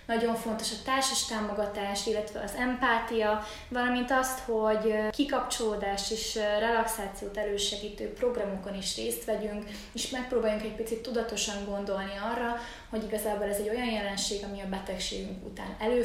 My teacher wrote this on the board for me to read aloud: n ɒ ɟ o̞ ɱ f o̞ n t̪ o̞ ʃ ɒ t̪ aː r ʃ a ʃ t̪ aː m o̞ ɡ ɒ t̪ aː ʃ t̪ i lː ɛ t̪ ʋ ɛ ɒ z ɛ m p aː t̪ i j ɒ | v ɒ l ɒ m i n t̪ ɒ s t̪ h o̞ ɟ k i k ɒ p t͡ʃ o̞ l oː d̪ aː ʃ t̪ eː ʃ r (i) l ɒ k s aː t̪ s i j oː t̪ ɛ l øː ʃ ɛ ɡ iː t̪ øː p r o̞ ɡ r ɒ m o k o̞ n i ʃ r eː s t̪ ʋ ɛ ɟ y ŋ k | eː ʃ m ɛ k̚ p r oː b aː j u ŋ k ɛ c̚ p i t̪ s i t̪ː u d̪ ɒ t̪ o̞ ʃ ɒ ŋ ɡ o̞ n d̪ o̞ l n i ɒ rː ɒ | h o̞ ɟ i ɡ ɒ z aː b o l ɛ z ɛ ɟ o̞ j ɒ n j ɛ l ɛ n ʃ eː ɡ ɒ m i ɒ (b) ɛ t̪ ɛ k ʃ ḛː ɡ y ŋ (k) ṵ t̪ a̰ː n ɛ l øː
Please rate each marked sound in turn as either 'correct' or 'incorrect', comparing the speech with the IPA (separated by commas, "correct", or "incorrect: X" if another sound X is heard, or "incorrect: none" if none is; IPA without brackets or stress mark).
incorrect: ɛ, correct, correct